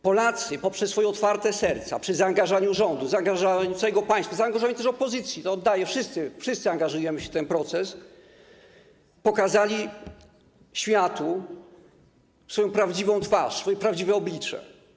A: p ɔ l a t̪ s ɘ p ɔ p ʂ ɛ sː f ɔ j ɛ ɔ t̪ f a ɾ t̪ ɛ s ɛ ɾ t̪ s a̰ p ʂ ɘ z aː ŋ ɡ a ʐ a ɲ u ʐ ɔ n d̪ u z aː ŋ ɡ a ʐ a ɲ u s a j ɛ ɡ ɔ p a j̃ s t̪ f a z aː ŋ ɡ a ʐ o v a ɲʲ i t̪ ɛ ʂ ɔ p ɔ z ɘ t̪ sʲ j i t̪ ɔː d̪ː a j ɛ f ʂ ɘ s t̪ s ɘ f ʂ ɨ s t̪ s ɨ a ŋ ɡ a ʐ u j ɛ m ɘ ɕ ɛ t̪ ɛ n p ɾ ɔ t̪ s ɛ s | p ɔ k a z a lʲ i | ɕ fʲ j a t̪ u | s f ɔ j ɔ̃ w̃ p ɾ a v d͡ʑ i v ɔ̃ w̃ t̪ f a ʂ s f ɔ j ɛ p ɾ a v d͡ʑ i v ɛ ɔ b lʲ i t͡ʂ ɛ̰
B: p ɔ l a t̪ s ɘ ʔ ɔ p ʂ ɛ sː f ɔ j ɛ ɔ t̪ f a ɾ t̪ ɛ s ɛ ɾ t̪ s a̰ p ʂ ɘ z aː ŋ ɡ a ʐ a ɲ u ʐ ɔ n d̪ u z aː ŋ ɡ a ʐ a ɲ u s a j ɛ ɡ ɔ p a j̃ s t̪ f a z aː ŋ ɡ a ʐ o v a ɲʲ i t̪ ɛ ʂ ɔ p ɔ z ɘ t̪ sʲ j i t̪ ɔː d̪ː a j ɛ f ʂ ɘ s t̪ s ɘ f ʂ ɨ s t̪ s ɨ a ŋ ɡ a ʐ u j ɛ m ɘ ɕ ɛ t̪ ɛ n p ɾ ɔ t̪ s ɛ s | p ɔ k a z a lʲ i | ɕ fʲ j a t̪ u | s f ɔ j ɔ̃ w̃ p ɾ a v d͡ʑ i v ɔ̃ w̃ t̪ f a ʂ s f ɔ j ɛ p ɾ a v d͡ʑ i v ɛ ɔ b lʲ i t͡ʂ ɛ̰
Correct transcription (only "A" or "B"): A